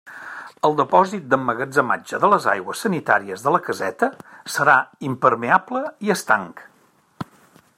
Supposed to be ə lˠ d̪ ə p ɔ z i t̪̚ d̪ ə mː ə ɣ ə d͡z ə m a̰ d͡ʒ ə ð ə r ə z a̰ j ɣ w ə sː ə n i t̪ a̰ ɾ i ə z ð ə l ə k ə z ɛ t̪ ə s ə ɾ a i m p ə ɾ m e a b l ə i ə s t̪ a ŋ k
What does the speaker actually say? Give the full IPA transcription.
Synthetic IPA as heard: ə lˠ d̪ ə p ɔ z i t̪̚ d̪ ə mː ə ɣ ə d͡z ə m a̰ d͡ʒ ə ð ə l ə z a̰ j ɣ w ə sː ə n i t̪ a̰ ɾ i ə z ð ə l ə k ə z ɛ t̪ ə s ə ɾ a i m p ə ɾ m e a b l ə i ə s t̪ a ŋ k